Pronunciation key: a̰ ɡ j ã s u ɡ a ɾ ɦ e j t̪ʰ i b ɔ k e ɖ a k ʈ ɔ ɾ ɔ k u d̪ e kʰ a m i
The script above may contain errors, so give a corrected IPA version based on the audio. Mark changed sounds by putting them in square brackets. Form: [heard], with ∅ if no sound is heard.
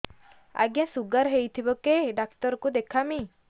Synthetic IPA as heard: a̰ ɡ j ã s u ɡ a ɾ ɦ e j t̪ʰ i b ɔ k e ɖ a k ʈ ɔ ɾ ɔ k u d̪ e kʰ a m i